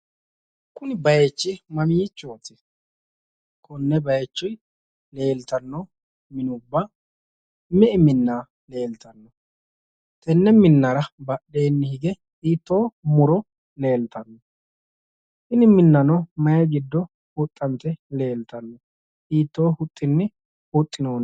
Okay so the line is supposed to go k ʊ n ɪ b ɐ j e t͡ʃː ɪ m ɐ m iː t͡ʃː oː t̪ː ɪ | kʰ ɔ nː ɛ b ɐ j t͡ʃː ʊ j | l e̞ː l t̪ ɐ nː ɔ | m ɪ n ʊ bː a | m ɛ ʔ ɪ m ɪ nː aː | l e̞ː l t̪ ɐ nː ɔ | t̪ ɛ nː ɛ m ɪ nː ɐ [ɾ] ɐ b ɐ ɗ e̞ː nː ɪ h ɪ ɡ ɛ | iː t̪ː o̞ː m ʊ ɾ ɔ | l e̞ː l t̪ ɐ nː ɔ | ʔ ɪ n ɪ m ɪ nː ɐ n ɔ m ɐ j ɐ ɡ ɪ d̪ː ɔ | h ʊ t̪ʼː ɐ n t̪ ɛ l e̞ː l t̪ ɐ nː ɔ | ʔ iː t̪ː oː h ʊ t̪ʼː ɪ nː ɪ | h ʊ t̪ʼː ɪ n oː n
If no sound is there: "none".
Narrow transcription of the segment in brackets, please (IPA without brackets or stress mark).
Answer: ɾ